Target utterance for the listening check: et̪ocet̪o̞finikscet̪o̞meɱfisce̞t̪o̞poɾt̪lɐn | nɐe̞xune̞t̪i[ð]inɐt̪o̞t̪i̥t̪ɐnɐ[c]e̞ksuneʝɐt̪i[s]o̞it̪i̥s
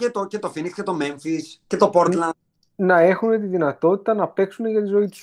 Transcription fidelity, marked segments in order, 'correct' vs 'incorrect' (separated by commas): correct, incorrect, incorrect